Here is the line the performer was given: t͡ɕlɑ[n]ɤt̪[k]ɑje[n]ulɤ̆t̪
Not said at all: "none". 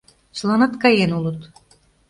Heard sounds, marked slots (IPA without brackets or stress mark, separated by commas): n, k, n